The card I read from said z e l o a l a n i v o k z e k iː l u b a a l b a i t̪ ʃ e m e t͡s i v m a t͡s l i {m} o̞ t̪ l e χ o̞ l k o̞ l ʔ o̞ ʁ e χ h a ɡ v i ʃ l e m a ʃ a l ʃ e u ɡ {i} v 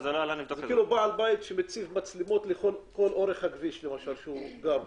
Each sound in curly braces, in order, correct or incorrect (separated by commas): correct, incorrect